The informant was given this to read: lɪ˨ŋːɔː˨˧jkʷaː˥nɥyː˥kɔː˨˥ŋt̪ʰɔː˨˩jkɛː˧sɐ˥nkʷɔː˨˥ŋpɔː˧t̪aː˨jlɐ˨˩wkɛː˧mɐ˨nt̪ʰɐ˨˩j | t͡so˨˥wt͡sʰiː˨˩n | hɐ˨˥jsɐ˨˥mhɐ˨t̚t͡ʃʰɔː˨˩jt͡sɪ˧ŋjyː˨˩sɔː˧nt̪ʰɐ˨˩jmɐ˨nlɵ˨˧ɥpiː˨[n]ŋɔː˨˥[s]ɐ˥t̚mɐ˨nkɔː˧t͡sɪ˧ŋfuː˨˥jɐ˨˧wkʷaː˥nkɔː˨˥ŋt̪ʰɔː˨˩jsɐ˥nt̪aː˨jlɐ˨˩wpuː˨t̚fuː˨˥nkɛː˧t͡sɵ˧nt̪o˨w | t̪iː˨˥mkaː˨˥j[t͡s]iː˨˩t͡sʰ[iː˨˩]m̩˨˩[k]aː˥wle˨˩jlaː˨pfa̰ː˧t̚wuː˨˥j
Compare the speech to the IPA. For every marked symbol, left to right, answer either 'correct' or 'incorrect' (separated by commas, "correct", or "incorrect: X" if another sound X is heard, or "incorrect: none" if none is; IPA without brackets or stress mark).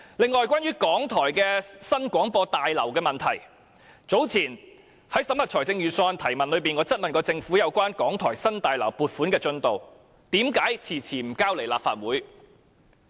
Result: correct, incorrect: t͡s, incorrect: t͡sʰ, correct, correct